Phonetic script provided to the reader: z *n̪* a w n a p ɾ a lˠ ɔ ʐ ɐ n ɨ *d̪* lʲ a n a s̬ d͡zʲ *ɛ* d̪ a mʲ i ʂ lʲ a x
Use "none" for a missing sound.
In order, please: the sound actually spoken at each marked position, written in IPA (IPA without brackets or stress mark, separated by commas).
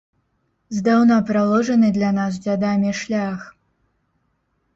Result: d̪, d̪, a